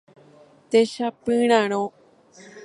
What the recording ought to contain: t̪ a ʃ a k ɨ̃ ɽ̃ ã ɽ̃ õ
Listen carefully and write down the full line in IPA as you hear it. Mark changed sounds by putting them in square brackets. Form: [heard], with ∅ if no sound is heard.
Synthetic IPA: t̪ [e] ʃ a [p] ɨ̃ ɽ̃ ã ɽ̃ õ